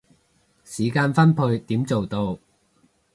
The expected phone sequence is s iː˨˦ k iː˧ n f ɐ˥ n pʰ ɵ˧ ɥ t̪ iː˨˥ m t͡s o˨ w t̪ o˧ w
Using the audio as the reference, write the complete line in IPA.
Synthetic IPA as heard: s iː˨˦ k aː˧ n f ɐ˥ n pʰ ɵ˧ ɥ t̪ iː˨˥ m t͡s o˨ w t̪ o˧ w